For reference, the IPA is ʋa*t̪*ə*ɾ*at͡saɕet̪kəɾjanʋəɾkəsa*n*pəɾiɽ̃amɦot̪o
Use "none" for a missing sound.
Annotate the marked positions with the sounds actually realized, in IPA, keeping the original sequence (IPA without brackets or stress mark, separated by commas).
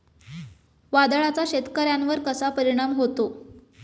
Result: d̪, ɭ, none